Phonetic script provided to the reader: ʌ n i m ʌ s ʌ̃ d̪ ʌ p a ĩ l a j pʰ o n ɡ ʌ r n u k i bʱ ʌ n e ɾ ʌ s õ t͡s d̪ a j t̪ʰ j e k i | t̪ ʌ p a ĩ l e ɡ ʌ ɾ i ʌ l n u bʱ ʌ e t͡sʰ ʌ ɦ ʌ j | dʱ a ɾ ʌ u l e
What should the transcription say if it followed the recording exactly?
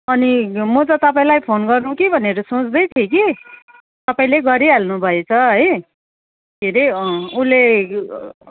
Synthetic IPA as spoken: ʌ n i m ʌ t͡s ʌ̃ t̪ ʌ p a ĩ l a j pʰ o n ɡ ʌ r n u k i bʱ ʌ n e ɾ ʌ s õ t͡s d̪ ʌ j t̪ʰ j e k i | t̪ ʌ p a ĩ l e ɡ ʌ ɾ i a l n u bʱ ʌ e t͡sʰ ʌ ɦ ʌ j | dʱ e ɾ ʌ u l e